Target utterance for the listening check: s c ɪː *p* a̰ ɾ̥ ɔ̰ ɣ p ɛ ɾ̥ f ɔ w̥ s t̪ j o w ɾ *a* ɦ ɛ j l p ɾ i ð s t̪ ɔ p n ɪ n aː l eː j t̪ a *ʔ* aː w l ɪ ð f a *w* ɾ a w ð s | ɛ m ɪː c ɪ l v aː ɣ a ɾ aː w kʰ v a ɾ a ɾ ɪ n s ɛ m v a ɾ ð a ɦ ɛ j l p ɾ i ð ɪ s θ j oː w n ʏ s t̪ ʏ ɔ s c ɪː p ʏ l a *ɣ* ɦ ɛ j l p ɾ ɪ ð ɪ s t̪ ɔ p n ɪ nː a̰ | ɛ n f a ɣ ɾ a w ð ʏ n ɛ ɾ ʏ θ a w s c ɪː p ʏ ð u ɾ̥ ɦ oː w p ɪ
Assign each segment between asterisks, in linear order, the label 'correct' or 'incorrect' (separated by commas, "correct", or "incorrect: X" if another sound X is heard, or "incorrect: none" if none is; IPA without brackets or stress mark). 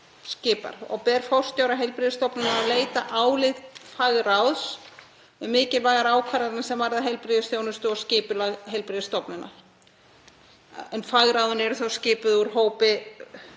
correct, correct, correct, incorrect: ɣ, correct